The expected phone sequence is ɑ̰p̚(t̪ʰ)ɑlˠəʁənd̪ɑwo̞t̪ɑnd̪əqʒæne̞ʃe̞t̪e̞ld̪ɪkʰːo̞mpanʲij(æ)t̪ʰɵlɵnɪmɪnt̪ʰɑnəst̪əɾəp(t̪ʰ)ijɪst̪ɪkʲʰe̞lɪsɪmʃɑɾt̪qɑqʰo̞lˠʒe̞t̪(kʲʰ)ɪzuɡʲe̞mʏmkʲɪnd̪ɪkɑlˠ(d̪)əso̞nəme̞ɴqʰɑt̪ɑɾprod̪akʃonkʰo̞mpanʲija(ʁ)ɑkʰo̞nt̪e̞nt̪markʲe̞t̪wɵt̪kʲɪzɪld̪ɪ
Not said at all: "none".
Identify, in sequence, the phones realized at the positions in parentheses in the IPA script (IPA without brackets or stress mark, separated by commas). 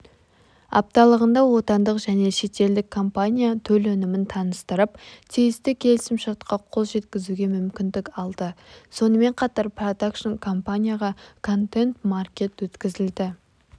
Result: t̪, a, t̪ʰ, kʲ, d̪, ʁ